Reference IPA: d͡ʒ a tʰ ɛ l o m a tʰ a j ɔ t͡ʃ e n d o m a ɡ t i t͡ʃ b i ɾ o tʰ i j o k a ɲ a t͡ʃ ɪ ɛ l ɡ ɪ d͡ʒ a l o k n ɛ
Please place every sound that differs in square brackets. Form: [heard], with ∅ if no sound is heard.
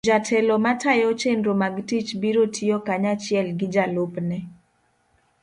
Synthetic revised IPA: d͡ʒ a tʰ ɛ l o m a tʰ a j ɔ t͡ʃ e n d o m a ɡ t i t͡ʃ b i ɾ o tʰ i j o k a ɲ a t͡ʃ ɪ ɛ l ɡ ɪ d͡ʒ a l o [p] n ɛ